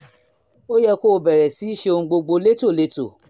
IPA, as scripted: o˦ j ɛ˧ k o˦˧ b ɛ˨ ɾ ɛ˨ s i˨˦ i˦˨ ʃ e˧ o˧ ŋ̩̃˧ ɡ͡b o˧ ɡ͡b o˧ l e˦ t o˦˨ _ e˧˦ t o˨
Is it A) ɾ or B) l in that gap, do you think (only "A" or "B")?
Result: B